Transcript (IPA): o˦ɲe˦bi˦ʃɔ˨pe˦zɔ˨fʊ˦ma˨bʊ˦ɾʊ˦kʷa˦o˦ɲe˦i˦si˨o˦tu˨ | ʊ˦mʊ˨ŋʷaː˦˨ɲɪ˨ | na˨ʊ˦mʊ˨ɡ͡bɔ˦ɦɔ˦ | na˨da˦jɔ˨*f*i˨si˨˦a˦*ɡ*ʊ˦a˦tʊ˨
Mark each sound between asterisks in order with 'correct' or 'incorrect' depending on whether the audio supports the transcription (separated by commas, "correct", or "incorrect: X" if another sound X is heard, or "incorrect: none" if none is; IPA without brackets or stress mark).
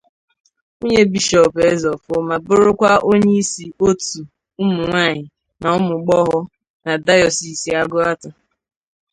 incorrect: s, correct